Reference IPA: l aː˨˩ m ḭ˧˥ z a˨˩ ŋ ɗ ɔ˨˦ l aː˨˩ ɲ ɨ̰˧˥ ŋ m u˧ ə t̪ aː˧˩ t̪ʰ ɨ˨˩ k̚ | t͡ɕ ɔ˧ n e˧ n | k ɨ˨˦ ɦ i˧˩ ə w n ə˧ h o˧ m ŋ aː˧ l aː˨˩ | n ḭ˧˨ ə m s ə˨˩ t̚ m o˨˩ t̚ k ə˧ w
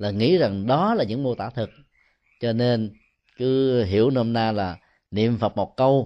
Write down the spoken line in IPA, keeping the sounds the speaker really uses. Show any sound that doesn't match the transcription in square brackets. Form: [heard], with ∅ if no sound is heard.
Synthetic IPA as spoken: l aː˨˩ [ŋ] ḭ˧˥ z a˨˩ ŋ ɗ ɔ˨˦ l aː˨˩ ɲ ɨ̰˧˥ ŋ m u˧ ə t̪ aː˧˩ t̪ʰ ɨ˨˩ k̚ | t͡ɕ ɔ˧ n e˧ n | k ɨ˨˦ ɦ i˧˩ ə w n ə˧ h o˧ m [n] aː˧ l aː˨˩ | n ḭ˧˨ ə m [f] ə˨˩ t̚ m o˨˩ t̚ k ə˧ w